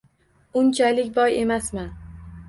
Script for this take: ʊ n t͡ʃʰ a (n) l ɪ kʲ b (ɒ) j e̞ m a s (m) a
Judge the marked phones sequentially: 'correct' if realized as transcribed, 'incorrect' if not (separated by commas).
incorrect, correct, correct